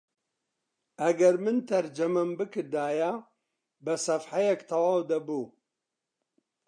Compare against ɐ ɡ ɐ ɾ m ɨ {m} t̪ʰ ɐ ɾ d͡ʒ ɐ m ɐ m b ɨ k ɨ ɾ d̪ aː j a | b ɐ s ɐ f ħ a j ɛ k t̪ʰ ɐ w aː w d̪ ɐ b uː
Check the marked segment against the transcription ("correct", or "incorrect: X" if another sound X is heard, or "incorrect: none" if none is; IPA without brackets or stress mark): incorrect: n